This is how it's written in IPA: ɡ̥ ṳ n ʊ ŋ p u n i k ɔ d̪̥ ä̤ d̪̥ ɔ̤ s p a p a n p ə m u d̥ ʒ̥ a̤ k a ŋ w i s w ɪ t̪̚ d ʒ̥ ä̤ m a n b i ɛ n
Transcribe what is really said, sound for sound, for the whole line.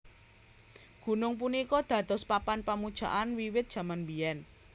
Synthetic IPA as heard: ɡ̥ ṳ n ʊ ŋ p u n i k ɔ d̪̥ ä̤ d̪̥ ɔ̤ s p a p a n p a m u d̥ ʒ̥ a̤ ʔ a n w i w ɪ t̪̚ d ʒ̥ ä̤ m a n b i ɛ n